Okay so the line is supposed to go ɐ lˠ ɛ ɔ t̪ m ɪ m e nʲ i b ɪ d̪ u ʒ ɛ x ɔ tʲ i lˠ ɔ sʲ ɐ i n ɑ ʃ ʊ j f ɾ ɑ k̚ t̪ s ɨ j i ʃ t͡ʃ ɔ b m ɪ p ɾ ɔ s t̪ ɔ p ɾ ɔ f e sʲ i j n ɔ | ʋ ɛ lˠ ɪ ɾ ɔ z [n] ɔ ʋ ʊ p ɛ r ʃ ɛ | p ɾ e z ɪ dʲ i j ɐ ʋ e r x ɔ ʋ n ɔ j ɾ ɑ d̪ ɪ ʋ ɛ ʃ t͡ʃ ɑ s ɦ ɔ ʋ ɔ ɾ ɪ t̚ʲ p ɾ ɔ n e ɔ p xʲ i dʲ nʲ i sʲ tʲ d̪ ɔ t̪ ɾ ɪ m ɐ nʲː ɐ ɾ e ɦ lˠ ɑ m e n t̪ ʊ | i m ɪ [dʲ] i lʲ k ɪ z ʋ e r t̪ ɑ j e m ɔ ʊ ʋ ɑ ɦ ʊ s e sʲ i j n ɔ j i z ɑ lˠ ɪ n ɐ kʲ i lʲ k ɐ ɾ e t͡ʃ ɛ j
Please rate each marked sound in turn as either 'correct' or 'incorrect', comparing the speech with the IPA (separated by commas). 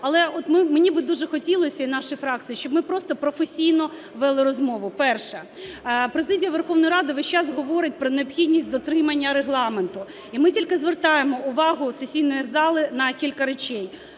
incorrect, incorrect